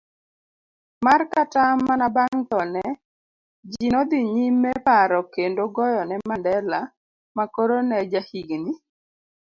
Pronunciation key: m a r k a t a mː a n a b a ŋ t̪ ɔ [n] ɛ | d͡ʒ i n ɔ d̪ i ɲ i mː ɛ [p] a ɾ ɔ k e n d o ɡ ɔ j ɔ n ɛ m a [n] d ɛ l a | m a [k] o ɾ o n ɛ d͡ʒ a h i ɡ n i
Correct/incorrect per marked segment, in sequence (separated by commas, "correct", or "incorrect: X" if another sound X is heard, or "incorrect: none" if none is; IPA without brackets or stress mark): correct, correct, correct, correct